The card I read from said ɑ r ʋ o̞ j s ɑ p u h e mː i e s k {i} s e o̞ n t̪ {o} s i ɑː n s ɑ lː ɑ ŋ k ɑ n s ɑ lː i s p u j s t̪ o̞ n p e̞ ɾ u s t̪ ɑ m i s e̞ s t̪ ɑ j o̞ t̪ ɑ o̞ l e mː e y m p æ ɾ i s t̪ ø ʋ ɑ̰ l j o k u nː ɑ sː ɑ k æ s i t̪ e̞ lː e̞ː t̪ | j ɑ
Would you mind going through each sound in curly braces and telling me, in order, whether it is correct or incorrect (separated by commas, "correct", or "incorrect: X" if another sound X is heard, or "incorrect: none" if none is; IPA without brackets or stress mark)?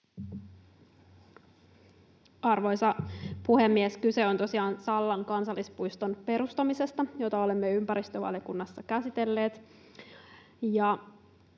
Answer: incorrect: y, correct